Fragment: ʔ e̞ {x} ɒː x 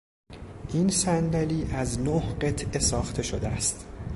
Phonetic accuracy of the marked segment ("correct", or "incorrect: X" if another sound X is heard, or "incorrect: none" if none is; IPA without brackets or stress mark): incorrect: s